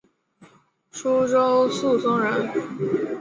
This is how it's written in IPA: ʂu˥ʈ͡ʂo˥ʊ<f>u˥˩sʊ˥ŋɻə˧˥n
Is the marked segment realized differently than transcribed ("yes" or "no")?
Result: yes